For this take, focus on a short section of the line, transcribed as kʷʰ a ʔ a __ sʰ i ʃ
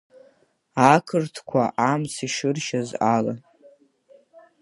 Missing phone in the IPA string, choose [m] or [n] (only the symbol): m